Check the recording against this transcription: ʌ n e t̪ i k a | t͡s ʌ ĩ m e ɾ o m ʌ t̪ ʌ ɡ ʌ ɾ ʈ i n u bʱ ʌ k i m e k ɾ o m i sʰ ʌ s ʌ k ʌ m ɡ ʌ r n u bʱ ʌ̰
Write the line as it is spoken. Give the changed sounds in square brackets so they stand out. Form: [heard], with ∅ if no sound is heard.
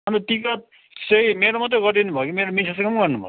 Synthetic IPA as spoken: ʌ n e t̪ i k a | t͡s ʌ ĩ m e ɾ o m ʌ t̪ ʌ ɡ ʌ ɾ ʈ i n u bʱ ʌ k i m e [∅] ɾ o m i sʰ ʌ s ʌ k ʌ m ɡ ʌ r n u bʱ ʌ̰